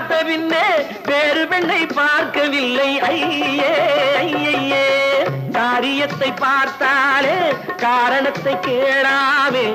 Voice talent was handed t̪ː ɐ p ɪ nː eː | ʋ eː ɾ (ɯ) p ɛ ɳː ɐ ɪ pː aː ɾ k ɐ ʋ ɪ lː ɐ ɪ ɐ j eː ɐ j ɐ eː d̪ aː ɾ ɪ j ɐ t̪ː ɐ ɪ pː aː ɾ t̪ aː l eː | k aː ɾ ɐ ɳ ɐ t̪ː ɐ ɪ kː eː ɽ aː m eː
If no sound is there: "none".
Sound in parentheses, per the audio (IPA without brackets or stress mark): ɯ